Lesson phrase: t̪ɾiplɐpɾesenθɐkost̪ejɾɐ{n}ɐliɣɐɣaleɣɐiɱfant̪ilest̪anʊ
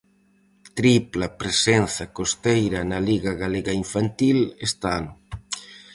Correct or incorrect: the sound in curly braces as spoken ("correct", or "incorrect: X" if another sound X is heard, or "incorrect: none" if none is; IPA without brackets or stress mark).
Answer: correct